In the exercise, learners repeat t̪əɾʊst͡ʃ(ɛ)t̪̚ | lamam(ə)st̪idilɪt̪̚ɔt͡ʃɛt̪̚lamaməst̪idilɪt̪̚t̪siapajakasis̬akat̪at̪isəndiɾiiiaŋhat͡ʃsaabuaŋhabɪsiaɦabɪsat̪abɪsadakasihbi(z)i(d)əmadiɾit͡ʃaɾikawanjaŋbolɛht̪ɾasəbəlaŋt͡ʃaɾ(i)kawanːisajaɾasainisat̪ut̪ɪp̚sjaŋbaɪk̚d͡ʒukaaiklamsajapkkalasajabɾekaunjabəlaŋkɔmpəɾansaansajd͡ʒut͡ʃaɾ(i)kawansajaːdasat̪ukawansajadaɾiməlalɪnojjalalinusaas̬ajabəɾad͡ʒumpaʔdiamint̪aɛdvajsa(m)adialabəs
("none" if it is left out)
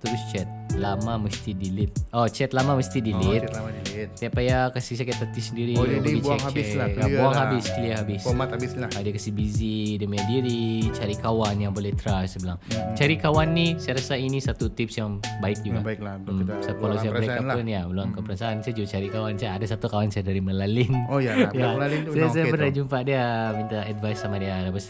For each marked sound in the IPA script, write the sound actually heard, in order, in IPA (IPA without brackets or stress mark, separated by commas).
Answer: ɛ, ə, z, d, i, i, m